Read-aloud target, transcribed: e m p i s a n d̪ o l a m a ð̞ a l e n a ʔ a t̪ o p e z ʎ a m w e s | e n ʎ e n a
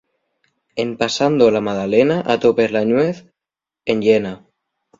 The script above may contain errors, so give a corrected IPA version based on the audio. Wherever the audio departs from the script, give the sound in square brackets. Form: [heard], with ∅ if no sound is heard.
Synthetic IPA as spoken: e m p [a] s a n d̪ o l a m a ð̞ a l e n a ʔ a t̪ o p e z [l] a [ɲ] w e [θ] | e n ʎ e n a